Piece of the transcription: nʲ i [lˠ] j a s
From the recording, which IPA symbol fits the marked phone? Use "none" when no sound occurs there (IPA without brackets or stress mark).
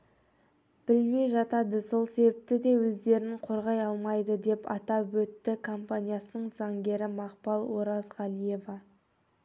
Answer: none